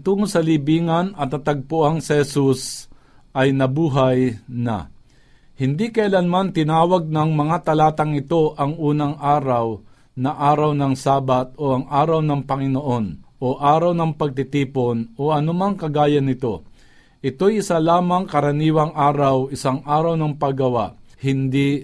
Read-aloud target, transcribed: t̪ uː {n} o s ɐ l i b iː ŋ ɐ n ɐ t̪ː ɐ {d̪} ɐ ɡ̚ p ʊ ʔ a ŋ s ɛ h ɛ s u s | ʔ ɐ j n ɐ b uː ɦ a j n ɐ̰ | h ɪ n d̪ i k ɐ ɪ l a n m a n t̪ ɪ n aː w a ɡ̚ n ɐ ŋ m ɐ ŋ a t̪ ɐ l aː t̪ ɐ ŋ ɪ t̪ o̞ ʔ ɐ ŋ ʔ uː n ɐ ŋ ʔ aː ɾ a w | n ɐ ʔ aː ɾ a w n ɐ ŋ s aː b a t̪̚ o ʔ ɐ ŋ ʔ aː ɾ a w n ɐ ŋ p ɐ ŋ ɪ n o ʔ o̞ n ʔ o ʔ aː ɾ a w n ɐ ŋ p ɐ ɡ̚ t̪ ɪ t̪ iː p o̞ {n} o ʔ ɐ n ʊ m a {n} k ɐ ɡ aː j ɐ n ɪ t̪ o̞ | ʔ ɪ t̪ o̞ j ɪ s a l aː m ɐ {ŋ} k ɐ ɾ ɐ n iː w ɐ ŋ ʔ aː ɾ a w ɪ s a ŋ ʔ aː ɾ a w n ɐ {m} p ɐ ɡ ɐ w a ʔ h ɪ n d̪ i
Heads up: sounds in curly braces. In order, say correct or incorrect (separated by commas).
incorrect, incorrect, correct, incorrect, correct, incorrect